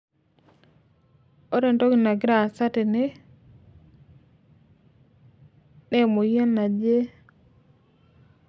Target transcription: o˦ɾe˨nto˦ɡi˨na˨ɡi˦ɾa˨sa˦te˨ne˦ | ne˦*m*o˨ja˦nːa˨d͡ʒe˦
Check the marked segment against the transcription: correct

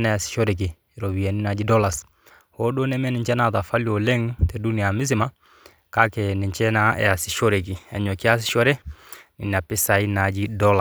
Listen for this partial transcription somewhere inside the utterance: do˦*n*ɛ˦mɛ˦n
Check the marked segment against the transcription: correct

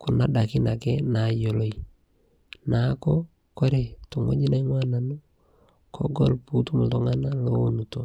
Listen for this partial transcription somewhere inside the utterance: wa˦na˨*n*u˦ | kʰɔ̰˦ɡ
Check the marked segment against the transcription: correct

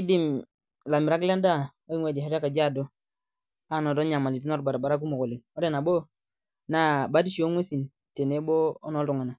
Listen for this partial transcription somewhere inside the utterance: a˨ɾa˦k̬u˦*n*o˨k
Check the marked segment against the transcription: incorrect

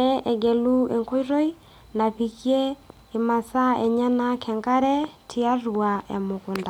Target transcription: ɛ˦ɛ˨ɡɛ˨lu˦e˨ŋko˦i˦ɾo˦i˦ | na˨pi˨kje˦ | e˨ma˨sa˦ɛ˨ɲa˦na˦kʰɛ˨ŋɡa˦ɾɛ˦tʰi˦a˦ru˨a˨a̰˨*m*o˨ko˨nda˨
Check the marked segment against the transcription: correct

